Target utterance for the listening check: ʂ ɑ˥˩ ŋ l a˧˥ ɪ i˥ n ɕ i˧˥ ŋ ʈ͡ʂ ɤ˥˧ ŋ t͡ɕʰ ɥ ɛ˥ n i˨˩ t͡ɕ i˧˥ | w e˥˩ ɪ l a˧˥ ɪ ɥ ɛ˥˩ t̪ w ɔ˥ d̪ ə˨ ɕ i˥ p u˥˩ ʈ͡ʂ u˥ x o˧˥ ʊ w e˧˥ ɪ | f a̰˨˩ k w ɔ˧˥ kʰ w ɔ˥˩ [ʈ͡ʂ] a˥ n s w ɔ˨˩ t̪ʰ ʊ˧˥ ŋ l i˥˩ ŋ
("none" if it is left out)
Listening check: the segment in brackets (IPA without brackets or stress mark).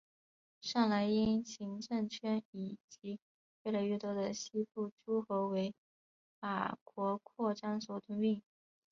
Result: ʈ͡ʂ